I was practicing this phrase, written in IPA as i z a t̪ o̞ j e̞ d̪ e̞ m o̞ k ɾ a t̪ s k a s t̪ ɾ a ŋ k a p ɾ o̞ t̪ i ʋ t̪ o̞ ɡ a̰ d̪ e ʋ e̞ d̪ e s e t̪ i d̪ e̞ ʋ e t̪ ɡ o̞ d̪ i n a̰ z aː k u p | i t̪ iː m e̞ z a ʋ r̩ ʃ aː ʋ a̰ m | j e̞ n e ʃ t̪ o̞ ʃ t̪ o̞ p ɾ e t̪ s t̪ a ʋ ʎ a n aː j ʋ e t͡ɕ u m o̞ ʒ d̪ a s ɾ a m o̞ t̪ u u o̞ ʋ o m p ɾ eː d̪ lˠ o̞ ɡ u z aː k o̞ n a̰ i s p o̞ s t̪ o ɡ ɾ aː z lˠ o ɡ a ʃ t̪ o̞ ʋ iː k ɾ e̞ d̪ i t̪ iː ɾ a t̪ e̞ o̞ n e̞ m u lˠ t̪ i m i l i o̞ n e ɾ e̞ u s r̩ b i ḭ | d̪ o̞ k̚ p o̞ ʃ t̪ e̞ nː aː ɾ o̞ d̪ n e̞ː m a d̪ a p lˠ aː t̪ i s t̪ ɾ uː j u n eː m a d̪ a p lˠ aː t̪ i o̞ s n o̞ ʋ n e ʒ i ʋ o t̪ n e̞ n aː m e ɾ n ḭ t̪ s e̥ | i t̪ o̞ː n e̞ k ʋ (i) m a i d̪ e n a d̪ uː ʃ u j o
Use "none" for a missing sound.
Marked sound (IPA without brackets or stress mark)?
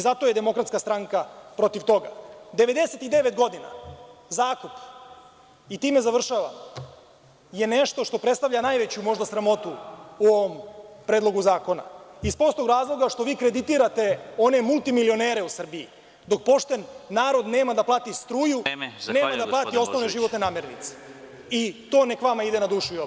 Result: a